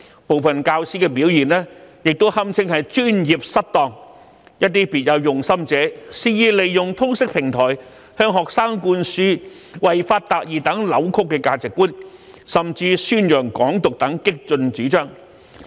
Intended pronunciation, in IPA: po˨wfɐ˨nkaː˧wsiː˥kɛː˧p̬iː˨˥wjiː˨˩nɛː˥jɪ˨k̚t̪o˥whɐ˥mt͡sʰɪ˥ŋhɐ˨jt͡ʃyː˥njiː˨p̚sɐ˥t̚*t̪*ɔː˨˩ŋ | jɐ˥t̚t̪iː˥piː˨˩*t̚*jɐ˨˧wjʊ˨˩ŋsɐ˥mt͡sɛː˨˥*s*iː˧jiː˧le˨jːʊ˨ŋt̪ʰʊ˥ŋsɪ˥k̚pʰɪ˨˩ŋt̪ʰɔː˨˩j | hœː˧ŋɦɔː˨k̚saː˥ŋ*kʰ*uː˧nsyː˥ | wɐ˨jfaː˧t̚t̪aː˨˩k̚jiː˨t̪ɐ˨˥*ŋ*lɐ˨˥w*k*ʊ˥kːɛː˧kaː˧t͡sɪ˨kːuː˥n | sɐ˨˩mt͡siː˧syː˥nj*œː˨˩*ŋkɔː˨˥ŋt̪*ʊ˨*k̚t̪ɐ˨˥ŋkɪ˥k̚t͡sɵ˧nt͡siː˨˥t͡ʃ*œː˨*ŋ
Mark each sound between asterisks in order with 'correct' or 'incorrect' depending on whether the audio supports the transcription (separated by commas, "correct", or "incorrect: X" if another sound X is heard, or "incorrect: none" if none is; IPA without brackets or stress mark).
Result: correct, correct, correct, incorrect: k, correct, incorrect: kʰ, correct, correct, incorrect: œː˥